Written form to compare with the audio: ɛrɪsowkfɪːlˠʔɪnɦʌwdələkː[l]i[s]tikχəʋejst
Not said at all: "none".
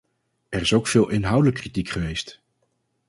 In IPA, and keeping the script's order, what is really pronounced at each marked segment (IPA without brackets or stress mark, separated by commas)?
r, none